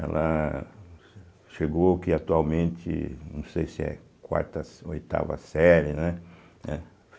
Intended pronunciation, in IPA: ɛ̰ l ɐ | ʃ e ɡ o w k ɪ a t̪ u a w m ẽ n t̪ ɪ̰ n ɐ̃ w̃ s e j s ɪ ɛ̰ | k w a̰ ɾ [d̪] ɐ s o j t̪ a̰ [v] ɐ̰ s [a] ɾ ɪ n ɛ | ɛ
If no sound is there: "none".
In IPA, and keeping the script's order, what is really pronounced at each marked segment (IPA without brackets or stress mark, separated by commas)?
t̪, v, ɛ